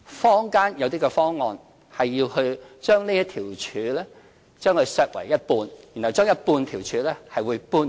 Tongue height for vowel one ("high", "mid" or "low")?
mid